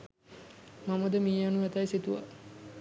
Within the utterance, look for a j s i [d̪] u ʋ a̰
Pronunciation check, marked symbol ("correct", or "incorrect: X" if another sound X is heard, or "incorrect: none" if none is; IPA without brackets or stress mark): incorrect: t̪